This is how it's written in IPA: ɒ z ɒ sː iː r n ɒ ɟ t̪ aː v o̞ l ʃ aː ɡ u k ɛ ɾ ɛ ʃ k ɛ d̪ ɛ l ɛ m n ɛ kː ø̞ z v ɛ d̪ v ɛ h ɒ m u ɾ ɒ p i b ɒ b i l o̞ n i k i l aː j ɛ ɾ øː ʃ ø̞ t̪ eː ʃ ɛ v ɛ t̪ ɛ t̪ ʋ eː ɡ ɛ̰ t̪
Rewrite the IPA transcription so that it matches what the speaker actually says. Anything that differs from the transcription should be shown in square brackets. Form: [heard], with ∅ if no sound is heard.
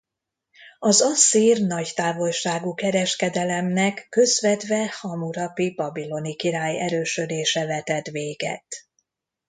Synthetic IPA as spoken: ɒ z ɒ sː iː r n ɒ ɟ t̪ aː v o̞ l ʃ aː ɡ u k ɛ ɾ ɛ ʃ k ɛ d̪ ɛ l ɛ m n ɛ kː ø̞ z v ɛ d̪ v ɛ h ɒ m u ɾ ɒ p i b ɒ b i l o̞ n i k i [ɾ] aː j ɛ ɾ øː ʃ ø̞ [d̪] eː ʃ ɛ v ɛ t̪ ɛ t̪ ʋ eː ɡ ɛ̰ t̪